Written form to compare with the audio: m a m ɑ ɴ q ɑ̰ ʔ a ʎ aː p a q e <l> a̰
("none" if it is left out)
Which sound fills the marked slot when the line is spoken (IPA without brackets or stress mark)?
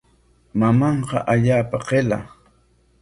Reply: l